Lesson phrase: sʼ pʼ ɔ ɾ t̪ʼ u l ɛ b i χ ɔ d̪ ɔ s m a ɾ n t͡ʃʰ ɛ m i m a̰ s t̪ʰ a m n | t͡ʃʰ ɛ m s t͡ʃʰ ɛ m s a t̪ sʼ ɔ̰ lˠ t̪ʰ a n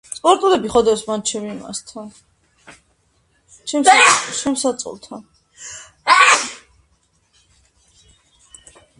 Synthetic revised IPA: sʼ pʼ ɔ ɾ t̪ʼ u l ɛ b i χ ɔ d̪ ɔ s m a n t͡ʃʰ ɛ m i m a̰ s t̪ʰ a n | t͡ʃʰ ɛ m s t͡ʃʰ ɛ m s a t̪ sʼ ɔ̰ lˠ t̪ʰ a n